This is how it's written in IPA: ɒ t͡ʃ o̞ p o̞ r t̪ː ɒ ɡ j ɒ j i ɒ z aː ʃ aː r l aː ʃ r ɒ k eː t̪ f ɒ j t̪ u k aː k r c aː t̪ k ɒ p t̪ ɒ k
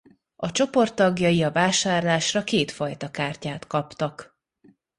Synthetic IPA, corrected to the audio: ɒ t͡ʃ o̞ p o̞ r t̪ː ɒ ɡ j ɒ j i ɒ v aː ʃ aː r l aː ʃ r ɒ k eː t̪ f ɒ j t̪ ɒ k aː r c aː t̪ k ɒ p t̪ ɒ k